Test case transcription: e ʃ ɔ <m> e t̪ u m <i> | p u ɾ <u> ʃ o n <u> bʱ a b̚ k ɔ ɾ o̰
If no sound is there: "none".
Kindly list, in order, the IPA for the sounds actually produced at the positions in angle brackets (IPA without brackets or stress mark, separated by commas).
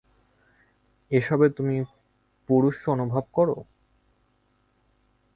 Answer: b, i, u, u